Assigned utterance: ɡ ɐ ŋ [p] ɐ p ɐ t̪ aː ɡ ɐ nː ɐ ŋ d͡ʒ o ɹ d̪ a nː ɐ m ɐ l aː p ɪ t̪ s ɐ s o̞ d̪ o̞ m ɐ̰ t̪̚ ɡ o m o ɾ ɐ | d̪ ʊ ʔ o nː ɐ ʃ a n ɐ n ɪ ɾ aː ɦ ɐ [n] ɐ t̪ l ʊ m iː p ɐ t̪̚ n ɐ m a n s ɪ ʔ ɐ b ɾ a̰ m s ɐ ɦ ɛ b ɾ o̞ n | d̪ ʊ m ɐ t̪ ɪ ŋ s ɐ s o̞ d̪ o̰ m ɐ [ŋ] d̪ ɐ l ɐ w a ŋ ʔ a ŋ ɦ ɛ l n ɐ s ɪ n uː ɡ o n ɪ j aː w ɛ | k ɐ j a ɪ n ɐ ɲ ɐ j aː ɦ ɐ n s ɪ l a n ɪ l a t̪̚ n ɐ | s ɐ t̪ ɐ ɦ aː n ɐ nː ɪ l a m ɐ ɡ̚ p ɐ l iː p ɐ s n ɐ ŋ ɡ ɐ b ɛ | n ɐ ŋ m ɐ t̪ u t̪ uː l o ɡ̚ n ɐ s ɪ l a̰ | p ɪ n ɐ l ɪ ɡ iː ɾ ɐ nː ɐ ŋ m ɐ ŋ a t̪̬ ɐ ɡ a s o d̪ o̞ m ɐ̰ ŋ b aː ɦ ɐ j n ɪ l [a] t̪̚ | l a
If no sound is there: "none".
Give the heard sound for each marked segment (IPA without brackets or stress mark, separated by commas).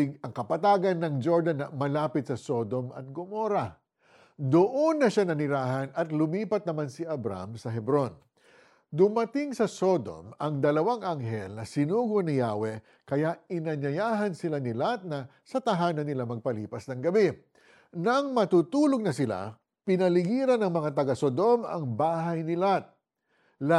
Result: k, n, ŋ, a